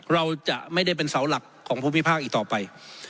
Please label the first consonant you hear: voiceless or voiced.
voiced